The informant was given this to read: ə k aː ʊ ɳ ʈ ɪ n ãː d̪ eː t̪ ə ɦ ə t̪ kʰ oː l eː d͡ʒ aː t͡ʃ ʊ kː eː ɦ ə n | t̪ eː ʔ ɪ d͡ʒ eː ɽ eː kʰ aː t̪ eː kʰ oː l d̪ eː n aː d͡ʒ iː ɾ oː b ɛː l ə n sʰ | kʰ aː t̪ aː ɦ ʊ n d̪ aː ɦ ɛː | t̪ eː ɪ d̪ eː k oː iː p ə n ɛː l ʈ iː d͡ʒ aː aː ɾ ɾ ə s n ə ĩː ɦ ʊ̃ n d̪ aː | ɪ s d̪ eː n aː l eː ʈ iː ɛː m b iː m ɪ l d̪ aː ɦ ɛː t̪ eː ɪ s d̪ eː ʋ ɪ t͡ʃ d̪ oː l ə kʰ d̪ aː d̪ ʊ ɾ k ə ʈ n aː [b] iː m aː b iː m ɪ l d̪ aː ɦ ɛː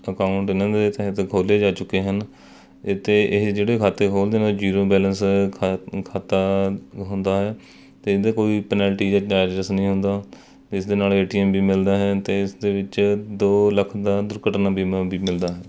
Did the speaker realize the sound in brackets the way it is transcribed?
yes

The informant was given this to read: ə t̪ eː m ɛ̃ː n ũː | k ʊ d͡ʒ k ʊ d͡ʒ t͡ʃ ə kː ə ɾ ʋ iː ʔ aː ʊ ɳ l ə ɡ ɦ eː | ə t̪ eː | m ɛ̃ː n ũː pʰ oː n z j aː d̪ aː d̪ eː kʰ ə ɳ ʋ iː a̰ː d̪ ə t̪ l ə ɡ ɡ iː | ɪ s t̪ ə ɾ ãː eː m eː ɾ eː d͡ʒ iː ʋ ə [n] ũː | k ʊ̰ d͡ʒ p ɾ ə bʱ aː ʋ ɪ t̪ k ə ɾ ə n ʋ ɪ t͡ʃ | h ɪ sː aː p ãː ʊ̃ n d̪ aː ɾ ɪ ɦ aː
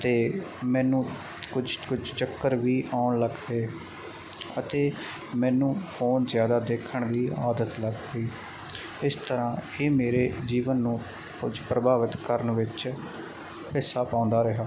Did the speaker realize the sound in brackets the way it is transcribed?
no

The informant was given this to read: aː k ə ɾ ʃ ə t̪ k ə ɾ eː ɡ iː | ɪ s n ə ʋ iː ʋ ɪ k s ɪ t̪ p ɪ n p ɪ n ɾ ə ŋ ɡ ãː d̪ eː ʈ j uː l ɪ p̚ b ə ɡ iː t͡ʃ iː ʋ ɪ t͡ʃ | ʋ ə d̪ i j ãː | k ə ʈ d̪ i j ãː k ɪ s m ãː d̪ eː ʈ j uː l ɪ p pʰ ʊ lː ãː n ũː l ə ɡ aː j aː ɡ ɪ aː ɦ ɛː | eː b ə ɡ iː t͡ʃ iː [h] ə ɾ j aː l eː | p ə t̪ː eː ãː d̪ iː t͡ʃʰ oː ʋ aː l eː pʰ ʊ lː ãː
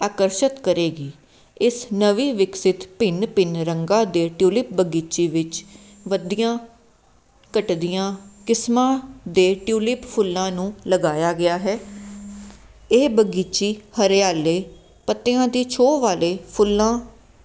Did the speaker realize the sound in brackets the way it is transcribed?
yes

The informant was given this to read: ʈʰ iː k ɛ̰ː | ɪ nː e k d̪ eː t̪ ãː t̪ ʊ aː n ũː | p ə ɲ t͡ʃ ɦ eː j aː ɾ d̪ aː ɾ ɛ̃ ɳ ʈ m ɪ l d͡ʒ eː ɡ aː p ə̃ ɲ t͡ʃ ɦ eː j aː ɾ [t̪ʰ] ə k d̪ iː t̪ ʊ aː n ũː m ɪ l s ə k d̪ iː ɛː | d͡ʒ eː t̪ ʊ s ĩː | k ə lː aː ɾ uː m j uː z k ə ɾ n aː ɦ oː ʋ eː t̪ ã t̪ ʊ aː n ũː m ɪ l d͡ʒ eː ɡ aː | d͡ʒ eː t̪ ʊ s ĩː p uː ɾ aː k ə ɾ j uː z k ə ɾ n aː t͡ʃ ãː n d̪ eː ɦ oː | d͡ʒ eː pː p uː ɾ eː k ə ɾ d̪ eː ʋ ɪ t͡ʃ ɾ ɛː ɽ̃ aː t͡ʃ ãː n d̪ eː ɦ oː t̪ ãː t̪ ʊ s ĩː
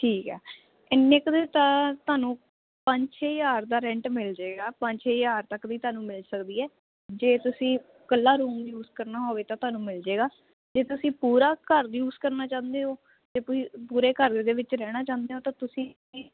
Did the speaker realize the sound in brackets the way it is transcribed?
no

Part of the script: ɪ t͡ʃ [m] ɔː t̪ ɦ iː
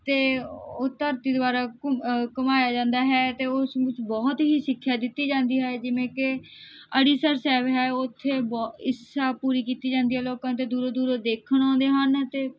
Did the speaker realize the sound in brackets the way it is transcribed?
no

